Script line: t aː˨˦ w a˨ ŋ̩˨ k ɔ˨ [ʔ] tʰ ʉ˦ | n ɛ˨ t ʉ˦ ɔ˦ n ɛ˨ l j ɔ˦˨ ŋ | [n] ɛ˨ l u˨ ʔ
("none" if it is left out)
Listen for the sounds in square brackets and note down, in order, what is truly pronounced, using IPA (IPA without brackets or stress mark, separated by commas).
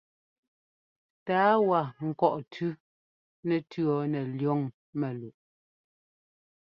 ʔ, m